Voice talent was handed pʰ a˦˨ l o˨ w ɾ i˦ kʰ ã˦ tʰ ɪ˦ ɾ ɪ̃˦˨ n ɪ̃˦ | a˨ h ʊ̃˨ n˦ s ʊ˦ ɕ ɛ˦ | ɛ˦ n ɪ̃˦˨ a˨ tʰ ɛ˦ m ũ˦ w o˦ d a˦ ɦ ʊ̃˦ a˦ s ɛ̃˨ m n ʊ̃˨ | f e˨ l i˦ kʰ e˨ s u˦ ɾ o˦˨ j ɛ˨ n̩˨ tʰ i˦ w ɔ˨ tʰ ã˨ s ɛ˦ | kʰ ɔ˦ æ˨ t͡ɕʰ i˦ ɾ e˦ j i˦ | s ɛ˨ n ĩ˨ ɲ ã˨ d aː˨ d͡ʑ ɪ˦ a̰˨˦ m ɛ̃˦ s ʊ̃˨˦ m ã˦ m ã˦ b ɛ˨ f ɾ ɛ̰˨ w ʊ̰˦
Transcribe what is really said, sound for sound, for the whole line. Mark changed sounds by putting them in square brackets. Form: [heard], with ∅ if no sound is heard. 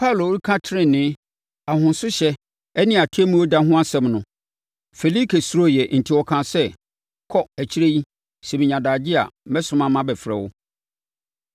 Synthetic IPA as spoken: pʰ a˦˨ l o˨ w ɾ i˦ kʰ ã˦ tʰ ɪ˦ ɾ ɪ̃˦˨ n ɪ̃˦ | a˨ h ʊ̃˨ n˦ s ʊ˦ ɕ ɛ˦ | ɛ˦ n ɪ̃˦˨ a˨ tʰ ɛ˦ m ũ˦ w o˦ d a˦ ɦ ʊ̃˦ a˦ s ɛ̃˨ m n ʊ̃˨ | f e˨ l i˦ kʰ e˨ s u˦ ɾ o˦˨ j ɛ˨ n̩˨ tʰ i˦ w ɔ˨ [kʰ] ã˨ s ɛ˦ | kʰ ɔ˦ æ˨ t͡ɕʰ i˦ ɾ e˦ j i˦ | s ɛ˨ [m] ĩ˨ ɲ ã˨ d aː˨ d͡ʑ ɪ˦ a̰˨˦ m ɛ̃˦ s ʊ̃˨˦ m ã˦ m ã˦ b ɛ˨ f ɾ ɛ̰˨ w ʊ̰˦